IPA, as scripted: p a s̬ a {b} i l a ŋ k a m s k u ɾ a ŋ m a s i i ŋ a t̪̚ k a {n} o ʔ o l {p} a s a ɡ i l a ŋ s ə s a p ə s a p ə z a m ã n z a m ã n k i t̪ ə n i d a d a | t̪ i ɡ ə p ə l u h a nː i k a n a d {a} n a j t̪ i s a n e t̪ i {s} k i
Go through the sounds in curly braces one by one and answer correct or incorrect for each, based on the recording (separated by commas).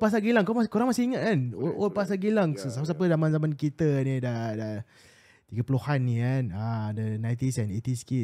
incorrect, correct, correct, incorrect, correct